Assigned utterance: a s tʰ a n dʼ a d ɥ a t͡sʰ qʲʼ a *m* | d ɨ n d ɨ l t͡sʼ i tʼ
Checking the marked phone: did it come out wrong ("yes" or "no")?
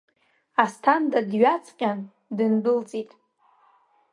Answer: yes